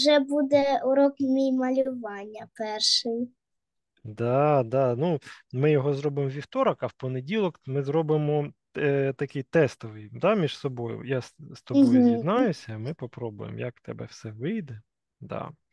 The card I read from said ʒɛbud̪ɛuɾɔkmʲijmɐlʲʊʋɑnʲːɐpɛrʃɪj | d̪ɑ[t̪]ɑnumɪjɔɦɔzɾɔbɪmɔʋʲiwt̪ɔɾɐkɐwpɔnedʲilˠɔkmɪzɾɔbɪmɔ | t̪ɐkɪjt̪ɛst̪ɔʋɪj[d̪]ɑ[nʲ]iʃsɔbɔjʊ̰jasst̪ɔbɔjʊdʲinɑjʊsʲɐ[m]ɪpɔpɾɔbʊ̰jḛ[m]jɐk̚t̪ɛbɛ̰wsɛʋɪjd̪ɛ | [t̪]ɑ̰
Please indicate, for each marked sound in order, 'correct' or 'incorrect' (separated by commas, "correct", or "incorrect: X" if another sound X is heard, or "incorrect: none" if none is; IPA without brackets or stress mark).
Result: incorrect: d̪, correct, incorrect: mʲ, correct, correct, incorrect: d̪